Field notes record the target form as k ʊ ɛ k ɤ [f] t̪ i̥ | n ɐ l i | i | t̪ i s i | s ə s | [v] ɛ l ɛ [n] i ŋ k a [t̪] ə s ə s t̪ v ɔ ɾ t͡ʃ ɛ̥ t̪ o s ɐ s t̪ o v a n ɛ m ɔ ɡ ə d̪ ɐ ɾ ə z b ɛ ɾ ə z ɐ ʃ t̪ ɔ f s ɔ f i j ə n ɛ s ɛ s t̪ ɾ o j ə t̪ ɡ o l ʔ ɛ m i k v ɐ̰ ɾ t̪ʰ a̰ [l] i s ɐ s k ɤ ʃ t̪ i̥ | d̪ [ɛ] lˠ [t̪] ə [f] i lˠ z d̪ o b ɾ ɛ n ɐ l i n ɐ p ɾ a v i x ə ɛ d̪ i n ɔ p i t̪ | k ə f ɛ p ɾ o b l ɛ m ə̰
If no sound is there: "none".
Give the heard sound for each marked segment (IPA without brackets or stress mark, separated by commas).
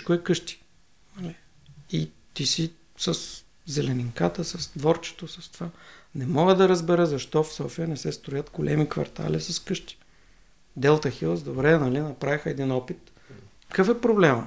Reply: ʃ, z, n, t̪, l, ɛ, t̪, x